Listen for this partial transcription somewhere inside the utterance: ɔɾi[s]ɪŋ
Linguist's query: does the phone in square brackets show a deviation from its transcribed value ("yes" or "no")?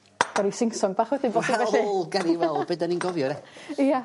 no